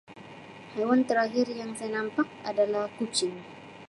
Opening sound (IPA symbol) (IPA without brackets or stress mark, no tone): h